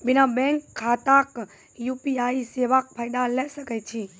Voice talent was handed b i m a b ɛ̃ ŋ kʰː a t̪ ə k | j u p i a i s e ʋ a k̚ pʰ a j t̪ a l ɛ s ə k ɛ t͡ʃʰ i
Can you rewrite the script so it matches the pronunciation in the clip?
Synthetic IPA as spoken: b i n a b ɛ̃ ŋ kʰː a t̪ a k | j u p i a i s e ʋ a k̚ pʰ a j d̪ a l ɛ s ə k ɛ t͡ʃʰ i